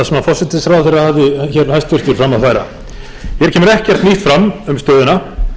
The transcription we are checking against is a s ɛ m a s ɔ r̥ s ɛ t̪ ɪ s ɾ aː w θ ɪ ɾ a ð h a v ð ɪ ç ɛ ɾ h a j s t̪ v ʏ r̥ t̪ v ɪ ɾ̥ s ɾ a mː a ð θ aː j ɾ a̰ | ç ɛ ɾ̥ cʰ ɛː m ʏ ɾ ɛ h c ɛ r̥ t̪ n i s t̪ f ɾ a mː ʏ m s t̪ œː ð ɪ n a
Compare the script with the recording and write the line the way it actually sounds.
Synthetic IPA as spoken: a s ɛ m a f ɔ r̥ s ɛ t̪ ɪ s ɾ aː w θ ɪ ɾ a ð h a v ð ɪ ç ɛ ɾ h a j s t̪ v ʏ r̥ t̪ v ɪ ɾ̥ f ɾ a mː a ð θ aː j ɾ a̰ | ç ɛ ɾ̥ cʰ ɛː m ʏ ɾ ɛ h c ɛ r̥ t̪ n i h t̪ f ɾ a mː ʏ m s t̪ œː ð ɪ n a